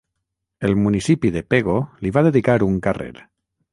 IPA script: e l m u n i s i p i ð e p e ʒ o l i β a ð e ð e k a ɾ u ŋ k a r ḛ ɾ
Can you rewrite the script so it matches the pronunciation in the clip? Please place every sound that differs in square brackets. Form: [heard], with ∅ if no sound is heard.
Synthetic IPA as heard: e l m u n i s i p i ð e p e [ɣ] o l i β a ð e ð [i] k a ɾ u ŋ k a r ḛ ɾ